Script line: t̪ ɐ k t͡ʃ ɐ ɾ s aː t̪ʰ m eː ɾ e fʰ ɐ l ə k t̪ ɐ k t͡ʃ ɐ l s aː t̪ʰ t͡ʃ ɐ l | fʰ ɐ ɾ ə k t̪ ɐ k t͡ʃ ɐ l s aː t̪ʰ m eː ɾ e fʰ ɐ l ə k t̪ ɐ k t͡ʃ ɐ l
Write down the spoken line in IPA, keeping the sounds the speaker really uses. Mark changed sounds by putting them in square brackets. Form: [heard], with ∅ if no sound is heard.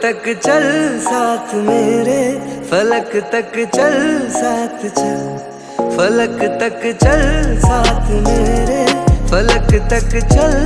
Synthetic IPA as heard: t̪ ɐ k t͡ʃ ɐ [l] s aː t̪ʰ m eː ɾ e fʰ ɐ l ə k t̪ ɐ k t͡ʃ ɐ l s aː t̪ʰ t͡ʃ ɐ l | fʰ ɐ [l] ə k t̪ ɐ k t͡ʃ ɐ l s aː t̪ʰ m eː ɾ e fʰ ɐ l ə k t̪ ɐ k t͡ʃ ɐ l